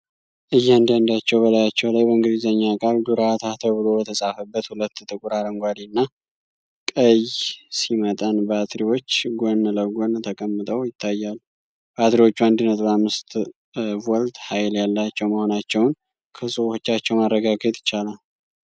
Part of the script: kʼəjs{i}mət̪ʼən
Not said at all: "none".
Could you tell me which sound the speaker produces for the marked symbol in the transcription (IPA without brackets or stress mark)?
i